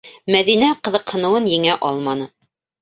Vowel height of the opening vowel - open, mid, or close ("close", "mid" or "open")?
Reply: open